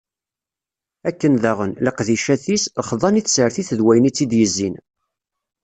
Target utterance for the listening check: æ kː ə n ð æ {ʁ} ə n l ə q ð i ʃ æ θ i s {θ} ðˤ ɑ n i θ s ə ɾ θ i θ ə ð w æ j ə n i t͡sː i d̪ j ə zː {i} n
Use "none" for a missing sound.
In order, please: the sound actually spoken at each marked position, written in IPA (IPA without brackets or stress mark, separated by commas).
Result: ʁ, χ, i